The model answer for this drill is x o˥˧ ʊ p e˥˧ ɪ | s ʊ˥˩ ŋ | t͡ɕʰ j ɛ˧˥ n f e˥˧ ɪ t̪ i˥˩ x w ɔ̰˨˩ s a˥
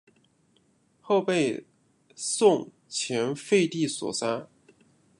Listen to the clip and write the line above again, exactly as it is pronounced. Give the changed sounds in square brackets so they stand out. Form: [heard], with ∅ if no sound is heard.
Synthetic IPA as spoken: x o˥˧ ʊ p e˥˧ ɪ | s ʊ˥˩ ŋ | t͡ɕʰ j ɛ˧˥ n f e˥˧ ɪ t̪ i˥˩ [s] w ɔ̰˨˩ s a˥